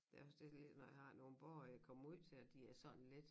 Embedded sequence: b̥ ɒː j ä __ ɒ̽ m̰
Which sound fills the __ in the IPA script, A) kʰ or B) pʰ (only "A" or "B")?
A